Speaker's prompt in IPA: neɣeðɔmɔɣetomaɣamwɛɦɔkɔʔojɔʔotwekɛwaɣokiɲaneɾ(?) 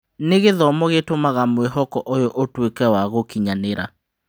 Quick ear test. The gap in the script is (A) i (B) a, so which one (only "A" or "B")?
B